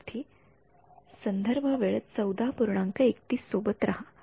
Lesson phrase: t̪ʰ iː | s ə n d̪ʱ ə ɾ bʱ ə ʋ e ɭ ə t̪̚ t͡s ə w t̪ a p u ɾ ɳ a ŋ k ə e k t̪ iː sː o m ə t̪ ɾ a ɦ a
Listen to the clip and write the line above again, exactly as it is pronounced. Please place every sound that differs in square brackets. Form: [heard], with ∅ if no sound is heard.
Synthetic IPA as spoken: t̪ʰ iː | s ə n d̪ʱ ə ɾ bʱ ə ʋ e ɭ ə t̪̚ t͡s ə w [d̪] a p u ɾ ɳ a ŋ k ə e k t̪ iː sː o [b] ə t̪ ɾ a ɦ a